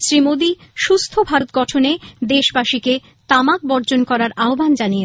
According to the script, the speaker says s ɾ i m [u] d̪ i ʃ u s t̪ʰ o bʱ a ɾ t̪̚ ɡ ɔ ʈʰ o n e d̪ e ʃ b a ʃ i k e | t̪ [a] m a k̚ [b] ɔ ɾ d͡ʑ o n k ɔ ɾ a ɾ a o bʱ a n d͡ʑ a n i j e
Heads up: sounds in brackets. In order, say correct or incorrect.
incorrect: o, correct, correct

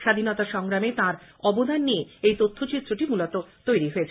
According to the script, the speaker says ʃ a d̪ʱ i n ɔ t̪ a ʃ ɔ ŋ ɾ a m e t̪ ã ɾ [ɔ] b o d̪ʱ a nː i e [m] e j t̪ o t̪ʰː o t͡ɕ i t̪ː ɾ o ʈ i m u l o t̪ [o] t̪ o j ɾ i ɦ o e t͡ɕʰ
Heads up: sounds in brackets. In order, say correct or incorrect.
correct, incorrect: none, correct

